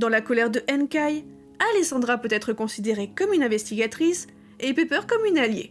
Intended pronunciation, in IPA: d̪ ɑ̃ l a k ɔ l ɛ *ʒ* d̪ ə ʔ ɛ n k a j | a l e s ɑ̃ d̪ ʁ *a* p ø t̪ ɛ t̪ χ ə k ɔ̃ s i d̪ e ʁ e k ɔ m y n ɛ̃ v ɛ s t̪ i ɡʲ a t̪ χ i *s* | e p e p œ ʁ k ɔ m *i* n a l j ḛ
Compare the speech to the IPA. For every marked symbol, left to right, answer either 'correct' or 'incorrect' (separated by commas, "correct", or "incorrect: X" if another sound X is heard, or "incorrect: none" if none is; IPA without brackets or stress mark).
incorrect: ʁ, correct, correct, incorrect: y